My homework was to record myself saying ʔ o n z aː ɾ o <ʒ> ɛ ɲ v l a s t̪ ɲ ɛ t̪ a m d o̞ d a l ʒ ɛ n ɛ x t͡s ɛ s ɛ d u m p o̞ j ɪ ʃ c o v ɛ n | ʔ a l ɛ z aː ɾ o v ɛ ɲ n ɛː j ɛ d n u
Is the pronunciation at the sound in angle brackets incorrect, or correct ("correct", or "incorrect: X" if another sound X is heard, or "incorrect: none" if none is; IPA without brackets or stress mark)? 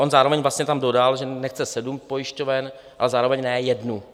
incorrect: v